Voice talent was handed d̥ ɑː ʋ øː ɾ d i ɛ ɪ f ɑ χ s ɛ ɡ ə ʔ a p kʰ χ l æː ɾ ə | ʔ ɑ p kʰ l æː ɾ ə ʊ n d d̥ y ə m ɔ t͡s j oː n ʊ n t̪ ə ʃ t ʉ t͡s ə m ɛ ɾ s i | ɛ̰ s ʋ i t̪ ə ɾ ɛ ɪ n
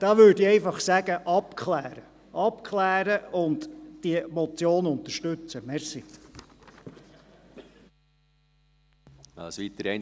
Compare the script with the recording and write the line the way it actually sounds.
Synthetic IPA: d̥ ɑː ʋ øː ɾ d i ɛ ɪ f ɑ χ s æ ɡ ə ʔ ɑ p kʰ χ l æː ɾ ə | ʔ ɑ p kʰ l æː ɾ ə ʊ n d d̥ i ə m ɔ t͡s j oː n ʊ n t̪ ə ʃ t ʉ t͡s ə m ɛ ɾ s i | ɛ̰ s ʋ i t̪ ə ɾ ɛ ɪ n